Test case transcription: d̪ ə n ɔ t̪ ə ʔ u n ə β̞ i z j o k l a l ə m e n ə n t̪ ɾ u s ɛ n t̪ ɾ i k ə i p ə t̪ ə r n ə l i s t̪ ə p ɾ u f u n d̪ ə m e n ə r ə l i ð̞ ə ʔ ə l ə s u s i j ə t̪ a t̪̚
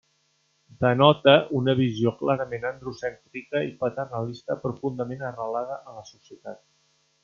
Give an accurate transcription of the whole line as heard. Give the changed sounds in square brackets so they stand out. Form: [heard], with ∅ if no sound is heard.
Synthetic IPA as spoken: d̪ ə n ɔ t̪ ə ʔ u n ə β̞ i z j o k l a [ɾ] ə m e n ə n [d̪] ɾ u s ɛ n t̪ ɾ i k ə i p ə t̪ ə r n ə l i s t̪ ə p ɾ u f u n d̪ ə m e n ə r ə l [a] ð̞ ə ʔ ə l ə s u s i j ə t̪ a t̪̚

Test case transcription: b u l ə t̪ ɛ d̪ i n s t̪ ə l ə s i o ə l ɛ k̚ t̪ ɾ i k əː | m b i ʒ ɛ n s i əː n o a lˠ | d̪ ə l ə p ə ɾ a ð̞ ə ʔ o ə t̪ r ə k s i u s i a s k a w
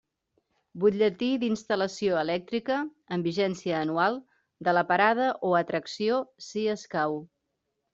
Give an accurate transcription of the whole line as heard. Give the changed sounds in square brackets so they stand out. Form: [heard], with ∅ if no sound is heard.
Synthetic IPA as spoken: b u [ʎ] ə t̪ [i] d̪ i n s t̪ ə l ə s i o ə l ɛ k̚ t̪ ɾ i k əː | m b i ʒ ɛ n s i əː n [u] a lˠ | d̪ ə l ə p ə ɾ a ð̞ ə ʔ o ə t̪ [ɾ] ə k s i [o] s i [ə] s k a w

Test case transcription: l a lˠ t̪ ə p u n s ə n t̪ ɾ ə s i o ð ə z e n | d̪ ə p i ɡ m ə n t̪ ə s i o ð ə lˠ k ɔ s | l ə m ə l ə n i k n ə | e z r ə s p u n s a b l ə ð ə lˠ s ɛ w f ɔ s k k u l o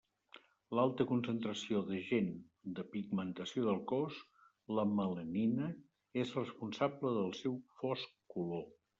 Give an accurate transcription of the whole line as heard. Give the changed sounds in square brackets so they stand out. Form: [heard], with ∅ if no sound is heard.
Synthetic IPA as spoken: l a lˠ t̪ ə [k] u n s ə n t̪ ɾ ə s i o ð ə [ʒ] e n | d̪ ə p i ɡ m ə n t̪ ə s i o ð ə lˠ k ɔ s | l ə m ə l ə n i [∅] n ə | e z r ə s p u n s a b l ə ð ə lˠ s ɛ w f ɔ s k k u l o

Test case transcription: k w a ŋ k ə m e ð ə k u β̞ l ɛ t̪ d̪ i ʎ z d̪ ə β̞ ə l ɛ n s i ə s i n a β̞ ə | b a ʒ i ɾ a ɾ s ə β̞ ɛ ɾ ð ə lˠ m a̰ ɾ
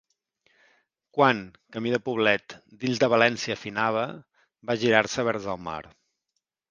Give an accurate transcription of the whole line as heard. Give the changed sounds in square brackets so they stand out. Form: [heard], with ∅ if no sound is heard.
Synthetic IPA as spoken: k w a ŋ k ə m [i] ð ə [p] u β̞ l ɛ t̪ d̪ i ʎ z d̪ ə β̞ ə l ɛ n s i ə [f] i n a β̞ ə | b a ʒ i ɾ a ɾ s ə β̞ ɛ ɾ [z] ə lˠ m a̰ ɾ

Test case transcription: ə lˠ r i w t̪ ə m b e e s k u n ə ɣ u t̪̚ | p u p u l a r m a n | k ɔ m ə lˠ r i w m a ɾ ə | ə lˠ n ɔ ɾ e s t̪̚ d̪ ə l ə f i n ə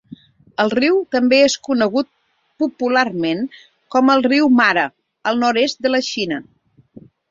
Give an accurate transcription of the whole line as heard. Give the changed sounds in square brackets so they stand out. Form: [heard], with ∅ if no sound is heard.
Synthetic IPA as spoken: ə lˠ r i w t̪ ə m b e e s k u n ə ɣ u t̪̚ | p u p u l a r m [e] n | k ɔ m ə lˠ r i w m a ɾ ə | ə lˠ n ɔ ɾ e s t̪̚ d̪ ə l ə [ʃ] i n ə

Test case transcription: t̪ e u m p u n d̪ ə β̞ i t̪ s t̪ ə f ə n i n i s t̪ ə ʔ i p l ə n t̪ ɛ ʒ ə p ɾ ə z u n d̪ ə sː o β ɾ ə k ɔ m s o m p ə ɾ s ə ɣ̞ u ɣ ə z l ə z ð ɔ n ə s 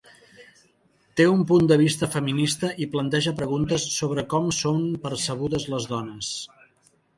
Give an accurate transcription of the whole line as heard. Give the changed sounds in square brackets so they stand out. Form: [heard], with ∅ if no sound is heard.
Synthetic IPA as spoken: t̪ e u m p u n d̪ ə β̞ i [∅] s t̪ ə f ə [m] i n i s t̪ ə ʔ i p l ə n t̪ ɛ ʒ ə p ɾ ə [ɣ] u n [t̪] ə sː o β ɾ ə k ɔ m s o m p ə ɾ s ə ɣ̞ u [ð] ə z l ə z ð ɔ n ə s

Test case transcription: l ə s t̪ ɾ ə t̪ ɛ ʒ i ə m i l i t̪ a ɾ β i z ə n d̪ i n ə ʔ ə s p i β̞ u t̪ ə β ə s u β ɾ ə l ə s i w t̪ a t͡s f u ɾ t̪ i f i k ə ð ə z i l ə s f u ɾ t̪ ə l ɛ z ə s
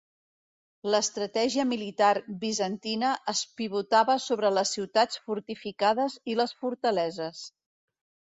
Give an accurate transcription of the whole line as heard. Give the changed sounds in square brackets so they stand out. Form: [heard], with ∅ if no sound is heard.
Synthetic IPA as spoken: l ə s t̪ ɾ ə t̪ ɛ ʒ i ə m i l i t̪ a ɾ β i z ə n [t̪] i n ə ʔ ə s p i β̞ u t̪ [a] β ə s [o] β ɾ ə l ə s i w t̪ a t͡s f u ɾ t̪ i f i k [a] ð ə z i l ə s f u ɾ t̪ ə l ɛ z ə s

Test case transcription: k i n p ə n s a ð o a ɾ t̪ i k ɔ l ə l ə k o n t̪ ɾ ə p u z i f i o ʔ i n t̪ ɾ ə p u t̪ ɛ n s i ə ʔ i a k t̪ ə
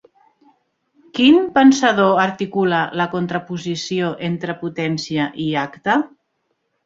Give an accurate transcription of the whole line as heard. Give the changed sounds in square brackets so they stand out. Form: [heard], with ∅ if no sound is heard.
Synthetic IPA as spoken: k i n p ə n s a ð o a ɾ t̪ i k [u] l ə l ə k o n t̪ ɾ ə p u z i [s] i o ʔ [e] n t̪ ɾ ə p u t̪ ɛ n s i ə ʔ i a k t̪ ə

